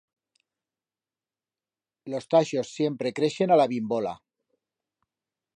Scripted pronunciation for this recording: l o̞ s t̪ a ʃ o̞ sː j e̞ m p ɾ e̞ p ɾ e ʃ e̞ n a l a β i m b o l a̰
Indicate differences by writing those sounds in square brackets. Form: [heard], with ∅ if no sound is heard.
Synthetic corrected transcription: l o̞ s t̪ a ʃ o̞ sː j e̞ m p ɾ e̞ [k] ɾ e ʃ e̞ n a l a β i m b o l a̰